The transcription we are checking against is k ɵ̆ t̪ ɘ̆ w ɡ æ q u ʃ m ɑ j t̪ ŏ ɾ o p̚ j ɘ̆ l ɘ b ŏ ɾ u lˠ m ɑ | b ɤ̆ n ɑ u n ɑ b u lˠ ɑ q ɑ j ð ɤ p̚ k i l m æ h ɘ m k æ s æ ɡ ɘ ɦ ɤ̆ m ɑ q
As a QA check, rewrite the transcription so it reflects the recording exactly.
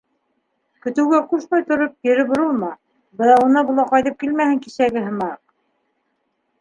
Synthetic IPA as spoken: k ɵ̆ t̪ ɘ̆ w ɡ æ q u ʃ m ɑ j t̪ ŏ ɾ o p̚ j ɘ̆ ɾ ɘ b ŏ ɾ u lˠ m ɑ | b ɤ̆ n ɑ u n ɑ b u lˠ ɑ q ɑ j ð ɤ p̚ k i l m æ h ɘ ŋ k i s æ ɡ ɘ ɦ ɤ̆ m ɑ q